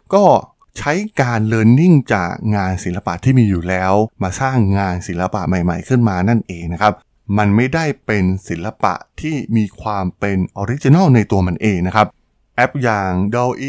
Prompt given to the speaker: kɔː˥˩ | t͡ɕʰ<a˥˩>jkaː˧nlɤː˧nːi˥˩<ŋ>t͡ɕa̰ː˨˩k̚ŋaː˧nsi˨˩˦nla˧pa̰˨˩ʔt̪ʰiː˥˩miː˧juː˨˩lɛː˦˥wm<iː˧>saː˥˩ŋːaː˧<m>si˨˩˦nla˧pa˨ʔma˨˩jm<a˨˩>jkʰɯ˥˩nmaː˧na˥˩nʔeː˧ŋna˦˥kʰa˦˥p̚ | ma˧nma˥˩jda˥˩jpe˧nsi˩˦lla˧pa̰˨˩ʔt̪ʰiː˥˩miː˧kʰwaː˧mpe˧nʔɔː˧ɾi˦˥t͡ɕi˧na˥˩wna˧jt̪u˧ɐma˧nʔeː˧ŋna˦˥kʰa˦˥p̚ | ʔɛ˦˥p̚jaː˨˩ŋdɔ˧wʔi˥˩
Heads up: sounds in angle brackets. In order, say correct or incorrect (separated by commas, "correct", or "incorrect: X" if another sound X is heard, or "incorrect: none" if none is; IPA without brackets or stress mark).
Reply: incorrect: a˦˥, correct, incorrect: aː˧, incorrect: n, correct